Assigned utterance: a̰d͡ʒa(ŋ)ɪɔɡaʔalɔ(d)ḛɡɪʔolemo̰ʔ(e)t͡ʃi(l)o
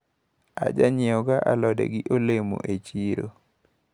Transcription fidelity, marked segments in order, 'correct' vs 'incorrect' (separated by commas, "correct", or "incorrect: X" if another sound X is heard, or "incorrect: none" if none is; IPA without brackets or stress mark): incorrect: ɲ, correct, correct, incorrect: ɾ